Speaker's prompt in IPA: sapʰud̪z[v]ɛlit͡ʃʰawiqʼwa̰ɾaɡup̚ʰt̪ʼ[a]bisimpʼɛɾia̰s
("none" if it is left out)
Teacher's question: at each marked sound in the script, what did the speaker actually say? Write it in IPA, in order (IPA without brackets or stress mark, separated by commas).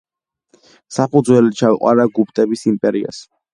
w, ɛ